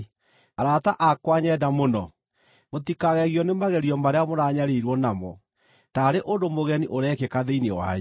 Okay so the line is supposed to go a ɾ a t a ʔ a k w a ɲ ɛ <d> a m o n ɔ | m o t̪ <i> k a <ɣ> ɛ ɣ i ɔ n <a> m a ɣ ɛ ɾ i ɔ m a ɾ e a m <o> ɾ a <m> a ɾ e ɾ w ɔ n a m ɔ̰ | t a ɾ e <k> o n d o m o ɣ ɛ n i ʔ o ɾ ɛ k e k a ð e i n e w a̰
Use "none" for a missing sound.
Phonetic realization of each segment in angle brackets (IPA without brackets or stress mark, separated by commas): d, i, ɣ, e, o, ɲ, ʔ